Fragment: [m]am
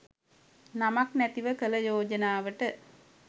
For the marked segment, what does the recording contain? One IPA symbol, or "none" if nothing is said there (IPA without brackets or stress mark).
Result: n